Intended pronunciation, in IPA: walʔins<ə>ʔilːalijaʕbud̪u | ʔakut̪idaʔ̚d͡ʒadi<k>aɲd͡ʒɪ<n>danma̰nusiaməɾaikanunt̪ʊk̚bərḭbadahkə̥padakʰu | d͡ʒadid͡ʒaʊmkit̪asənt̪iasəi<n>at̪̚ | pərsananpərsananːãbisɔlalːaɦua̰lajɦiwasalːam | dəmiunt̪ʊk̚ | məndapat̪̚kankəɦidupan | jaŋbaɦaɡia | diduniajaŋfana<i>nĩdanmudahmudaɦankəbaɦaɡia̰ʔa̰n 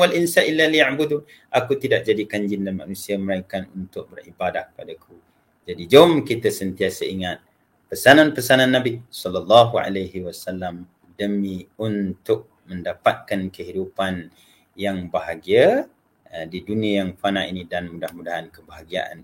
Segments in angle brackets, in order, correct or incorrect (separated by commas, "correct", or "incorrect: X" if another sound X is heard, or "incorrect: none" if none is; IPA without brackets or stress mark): incorrect: a, correct, correct, incorrect: ŋ, correct